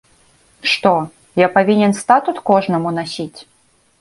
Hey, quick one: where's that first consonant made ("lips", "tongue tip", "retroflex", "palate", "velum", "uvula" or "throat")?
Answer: retroflex